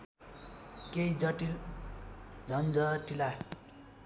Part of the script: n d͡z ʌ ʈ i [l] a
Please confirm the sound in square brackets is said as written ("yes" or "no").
yes